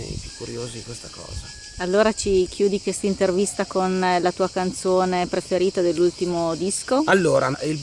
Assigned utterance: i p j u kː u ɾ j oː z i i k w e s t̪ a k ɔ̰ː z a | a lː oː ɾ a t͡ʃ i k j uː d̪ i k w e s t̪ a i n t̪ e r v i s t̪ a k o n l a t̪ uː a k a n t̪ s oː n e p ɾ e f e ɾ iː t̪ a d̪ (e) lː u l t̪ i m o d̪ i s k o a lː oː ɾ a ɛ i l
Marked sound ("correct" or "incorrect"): correct